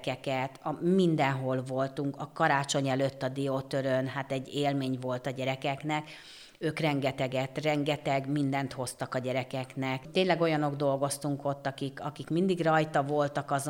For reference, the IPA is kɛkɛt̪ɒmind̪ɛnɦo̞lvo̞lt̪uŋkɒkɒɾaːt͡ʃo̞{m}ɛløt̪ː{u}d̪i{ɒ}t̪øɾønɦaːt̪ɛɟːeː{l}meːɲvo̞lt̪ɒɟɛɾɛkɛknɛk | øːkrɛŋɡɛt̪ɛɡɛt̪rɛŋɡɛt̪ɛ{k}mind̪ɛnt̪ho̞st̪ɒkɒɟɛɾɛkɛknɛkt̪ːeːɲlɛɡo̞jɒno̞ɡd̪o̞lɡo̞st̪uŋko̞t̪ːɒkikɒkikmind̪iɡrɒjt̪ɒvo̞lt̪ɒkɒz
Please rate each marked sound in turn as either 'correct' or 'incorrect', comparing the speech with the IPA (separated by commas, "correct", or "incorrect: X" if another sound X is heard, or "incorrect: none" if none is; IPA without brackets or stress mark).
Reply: incorrect: ɲ, incorrect: ɒ, incorrect: o, correct, incorrect: ɡ